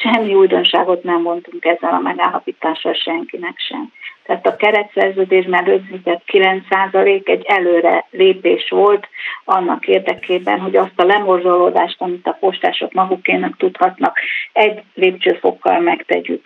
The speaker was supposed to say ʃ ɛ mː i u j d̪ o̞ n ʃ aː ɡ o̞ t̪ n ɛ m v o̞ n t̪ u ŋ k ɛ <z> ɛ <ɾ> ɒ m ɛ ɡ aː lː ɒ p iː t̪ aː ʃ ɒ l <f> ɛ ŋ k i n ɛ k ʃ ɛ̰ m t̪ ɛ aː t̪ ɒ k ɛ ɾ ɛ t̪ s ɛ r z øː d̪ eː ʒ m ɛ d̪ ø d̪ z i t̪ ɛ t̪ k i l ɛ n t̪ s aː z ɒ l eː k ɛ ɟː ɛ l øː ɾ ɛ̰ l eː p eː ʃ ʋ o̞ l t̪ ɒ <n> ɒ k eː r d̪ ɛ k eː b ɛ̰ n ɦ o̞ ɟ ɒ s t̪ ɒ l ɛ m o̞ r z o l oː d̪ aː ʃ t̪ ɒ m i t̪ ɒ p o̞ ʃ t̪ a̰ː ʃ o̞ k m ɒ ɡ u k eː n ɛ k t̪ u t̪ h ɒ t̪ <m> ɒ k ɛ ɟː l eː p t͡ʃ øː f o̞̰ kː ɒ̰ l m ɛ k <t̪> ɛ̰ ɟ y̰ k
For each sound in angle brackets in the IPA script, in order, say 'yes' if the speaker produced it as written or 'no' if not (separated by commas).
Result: no, no, no, no, no, yes